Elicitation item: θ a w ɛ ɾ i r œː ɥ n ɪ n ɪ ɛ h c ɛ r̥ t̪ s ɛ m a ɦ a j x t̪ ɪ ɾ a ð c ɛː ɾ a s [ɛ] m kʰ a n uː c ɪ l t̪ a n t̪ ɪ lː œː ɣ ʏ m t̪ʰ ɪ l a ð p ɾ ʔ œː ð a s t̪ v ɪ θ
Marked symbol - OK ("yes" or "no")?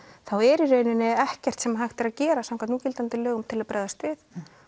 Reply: no